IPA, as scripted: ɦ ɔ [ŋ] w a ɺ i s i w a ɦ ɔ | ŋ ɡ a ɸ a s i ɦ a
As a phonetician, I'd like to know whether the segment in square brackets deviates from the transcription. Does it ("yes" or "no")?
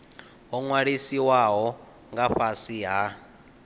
no